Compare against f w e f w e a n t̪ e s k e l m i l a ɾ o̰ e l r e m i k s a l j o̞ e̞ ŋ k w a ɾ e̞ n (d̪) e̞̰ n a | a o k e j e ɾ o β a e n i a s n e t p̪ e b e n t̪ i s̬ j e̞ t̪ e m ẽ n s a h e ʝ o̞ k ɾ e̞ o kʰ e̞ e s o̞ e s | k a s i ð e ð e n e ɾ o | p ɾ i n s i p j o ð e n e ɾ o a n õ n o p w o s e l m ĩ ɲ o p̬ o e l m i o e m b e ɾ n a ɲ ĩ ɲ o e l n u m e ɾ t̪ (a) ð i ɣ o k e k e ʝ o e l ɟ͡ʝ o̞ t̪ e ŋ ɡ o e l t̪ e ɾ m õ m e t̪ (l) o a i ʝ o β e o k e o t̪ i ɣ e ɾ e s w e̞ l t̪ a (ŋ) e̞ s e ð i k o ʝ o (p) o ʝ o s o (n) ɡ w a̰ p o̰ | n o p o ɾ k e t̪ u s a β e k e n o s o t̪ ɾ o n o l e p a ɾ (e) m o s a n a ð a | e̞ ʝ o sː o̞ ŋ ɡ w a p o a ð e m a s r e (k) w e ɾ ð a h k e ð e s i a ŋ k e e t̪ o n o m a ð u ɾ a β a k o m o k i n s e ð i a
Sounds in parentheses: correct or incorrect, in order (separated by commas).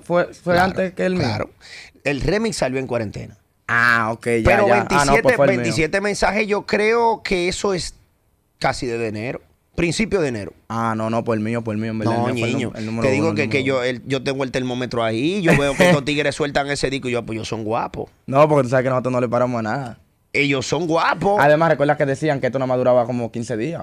incorrect, incorrect, incorrect, correct, correct, incorrect, incorrect, correct